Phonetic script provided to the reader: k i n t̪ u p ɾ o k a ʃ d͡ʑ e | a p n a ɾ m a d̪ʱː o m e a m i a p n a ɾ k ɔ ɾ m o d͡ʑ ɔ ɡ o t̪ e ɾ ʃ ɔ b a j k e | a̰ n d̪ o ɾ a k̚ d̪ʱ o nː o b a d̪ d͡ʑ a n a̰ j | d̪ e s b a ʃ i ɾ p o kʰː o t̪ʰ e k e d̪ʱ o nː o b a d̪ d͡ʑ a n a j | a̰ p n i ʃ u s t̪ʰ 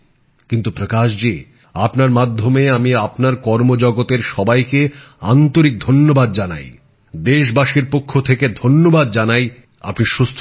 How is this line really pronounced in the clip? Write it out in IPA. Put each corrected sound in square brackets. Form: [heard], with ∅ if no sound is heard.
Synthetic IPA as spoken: k i n t̪ u p ɾ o k a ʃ d͡ʑ e | a p n a ɾ m a d̪ʱː o m e a m i a p n a ɾ k ɔ ɾ m o d͡ʑ ɔ ɡ o t̪ e ɾ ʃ ɔ b a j k e | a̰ n [t̪] o ɾ [i] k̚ d̪ʱ o nː o b a d̪ d͡ʑ a n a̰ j | d̪ e [ʃ] b a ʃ i ɾ p o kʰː o t̪ʰ e k e d̪ʱ o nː o b a d̪ d͡ʑ a n a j | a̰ p n i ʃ u s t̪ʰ